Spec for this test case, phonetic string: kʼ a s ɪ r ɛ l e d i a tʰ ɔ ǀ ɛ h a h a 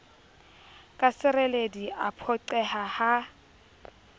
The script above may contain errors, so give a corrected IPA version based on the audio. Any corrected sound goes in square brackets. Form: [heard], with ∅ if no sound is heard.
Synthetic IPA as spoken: kʼ a s ɪ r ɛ l e d i a [pʰ] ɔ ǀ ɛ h a h a